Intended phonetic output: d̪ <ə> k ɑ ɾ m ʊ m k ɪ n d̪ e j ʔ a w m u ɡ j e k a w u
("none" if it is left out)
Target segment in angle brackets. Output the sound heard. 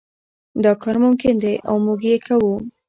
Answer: ɑ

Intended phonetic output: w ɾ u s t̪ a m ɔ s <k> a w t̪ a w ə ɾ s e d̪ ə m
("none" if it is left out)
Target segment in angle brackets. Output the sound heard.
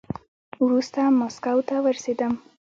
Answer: k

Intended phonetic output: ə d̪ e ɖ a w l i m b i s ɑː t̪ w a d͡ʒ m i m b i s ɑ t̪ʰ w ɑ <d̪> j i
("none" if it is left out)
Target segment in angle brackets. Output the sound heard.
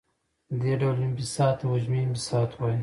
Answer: none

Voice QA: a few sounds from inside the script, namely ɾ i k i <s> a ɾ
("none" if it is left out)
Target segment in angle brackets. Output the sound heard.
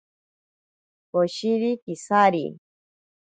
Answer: s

